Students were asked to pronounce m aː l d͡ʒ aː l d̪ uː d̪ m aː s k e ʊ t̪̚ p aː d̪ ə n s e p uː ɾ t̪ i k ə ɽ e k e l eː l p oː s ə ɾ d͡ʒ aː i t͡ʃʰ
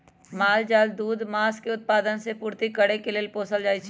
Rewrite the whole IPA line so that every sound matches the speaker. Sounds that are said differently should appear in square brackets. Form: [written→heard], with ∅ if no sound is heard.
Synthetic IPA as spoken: m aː l d͡ʒ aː l d̪ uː d̪ m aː s k e ʊ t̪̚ p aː d̪ ə n s e p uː ɾ t̪ i k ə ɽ e k e l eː l p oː s ə [ɾ→l] d͡ʒ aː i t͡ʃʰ